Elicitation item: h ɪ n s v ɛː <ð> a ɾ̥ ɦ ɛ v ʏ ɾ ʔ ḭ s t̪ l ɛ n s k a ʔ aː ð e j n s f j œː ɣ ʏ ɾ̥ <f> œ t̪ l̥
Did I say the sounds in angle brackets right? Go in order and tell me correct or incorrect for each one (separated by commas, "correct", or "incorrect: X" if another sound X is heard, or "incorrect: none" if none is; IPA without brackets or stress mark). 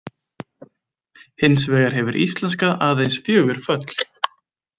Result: incorrect: ɣ, correct